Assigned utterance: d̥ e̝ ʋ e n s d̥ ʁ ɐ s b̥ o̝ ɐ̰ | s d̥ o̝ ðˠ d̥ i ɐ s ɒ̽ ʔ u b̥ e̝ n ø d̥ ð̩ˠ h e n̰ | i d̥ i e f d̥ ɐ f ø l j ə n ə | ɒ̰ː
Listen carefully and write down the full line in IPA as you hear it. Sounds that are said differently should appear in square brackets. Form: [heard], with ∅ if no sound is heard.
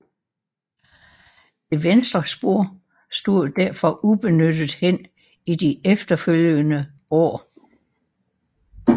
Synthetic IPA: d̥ e̝ ʋ e n s d̥ ʁ ɐ s b̥ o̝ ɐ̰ | s d̥ o̝ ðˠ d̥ [æ] ɐ [f] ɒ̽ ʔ u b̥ e̝ n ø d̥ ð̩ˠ h e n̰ | i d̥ i e f d̥ ɐ f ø l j ə n ə | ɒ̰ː